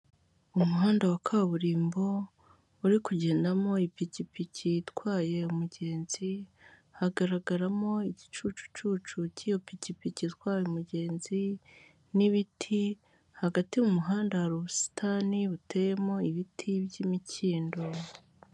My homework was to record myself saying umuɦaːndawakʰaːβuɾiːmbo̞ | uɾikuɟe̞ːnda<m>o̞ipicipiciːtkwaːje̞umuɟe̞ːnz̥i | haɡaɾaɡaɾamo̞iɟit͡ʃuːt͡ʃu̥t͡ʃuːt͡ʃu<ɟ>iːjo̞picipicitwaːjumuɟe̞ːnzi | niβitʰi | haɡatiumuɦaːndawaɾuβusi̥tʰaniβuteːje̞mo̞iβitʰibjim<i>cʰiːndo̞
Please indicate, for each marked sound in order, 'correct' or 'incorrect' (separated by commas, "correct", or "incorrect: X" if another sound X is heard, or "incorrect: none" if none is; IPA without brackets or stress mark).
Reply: correct, incorrect: c, correct